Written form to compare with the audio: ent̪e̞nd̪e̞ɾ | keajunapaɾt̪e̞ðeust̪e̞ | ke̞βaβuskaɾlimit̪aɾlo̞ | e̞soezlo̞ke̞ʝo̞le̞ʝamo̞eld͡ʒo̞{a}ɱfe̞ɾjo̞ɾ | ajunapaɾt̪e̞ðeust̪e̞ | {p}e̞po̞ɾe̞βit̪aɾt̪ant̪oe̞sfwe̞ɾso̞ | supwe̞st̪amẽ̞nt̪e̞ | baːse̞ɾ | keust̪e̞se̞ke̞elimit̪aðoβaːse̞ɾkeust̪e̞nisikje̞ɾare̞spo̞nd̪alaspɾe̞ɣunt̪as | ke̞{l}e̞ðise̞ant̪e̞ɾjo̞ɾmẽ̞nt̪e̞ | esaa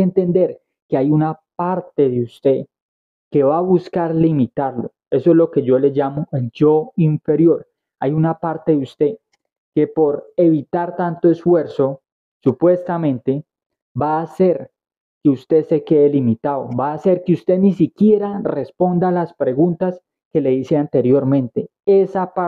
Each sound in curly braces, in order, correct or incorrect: incorrect: i, incorrect: k, correct

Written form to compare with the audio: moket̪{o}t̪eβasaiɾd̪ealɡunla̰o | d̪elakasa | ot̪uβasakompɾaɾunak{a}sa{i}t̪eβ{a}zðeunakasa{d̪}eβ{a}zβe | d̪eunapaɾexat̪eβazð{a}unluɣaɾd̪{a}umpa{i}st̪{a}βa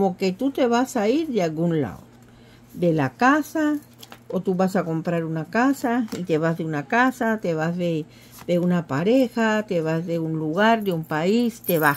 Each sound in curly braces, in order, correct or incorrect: incorrect: u, correct, correct, correct, incorrect: t̪, correct, incorrect: e, incorrect: e, correct, incorrect: e

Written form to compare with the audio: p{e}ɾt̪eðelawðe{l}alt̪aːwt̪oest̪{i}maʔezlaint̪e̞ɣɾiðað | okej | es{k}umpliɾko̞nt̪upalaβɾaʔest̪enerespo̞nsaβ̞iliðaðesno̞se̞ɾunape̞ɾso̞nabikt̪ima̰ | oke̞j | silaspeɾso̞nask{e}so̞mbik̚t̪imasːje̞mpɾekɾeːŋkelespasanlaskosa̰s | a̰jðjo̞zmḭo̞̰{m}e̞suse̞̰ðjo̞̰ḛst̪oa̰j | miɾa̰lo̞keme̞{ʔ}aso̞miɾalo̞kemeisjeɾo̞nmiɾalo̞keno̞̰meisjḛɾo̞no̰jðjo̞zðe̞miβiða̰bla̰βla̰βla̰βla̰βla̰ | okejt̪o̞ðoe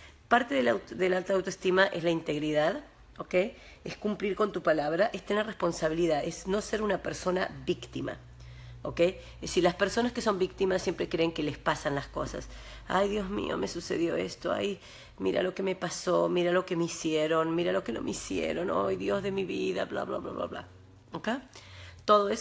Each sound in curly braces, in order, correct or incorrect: incorrect: a, correct, correct, correct, correct, correct, incorrect: p

